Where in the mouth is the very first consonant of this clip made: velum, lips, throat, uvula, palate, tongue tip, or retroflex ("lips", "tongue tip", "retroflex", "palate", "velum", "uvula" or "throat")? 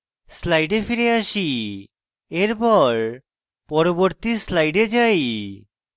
tongue tip